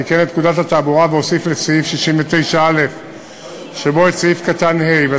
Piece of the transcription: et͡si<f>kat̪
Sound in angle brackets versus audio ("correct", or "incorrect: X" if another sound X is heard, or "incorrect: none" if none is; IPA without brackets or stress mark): correct